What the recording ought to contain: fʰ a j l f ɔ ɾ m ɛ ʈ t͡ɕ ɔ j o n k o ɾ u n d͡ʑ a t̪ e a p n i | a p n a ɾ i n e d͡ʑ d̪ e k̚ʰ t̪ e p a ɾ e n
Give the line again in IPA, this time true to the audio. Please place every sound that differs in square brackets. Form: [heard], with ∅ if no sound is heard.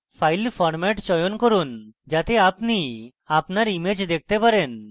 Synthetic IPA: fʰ a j l f ɔ ɾ m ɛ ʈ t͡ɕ ɔ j o n k o ɾ u n d͡ʑ a t̪ e a p n i | a p n a ɾ i [m] e d͡ʑ d̪ e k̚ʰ t̪ e p a ɾ e n